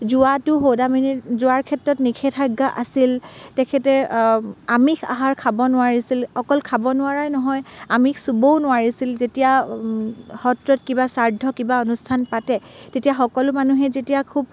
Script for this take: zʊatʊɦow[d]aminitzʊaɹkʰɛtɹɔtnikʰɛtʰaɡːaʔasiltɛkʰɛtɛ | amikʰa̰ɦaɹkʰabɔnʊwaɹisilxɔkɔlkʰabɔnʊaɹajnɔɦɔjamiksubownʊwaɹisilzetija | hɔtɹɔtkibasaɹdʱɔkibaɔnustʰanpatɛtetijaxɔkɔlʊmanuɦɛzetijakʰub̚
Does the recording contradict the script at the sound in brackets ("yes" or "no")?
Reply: no